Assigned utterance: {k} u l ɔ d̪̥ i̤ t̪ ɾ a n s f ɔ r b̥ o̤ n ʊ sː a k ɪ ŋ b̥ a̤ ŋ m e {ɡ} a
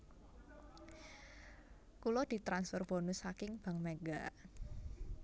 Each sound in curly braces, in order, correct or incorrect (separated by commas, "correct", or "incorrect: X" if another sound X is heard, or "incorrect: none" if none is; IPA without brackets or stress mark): correct, correct